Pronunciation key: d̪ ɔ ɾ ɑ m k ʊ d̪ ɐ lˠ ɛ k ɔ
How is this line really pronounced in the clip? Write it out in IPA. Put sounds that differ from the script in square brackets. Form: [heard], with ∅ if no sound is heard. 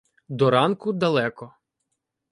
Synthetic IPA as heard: d̪ ɔ ɾ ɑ [n] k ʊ d̪ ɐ lˠ ɛ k ɔ